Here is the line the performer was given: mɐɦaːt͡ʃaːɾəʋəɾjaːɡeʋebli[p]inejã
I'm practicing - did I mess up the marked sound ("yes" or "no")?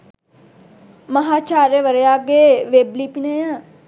no